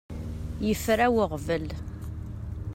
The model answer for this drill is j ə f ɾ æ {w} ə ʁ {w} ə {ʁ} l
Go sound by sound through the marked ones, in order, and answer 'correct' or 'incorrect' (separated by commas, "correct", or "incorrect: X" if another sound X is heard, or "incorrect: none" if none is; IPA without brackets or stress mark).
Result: correct, incorrect: v, incorrect: none